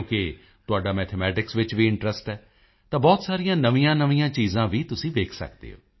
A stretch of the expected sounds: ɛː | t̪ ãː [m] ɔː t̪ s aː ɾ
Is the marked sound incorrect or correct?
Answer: incorrect